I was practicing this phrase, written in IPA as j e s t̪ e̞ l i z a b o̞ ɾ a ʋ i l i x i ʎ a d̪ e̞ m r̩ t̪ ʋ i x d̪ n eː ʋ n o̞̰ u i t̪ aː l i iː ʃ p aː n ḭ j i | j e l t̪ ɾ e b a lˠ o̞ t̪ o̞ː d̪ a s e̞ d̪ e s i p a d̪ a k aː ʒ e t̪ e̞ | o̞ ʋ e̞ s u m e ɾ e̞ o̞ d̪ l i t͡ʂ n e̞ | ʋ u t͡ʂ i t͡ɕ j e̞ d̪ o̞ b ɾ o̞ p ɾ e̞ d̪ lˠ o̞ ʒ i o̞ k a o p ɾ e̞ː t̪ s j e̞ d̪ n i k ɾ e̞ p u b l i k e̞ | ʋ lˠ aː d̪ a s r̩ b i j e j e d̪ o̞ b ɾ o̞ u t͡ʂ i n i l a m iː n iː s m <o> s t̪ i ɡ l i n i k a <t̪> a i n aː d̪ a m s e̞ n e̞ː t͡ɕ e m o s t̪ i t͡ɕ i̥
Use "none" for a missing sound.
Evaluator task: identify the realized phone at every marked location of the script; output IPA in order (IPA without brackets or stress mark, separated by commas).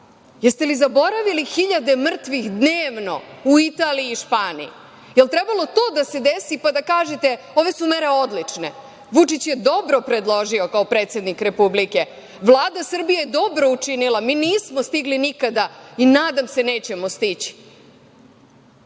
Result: o, d̪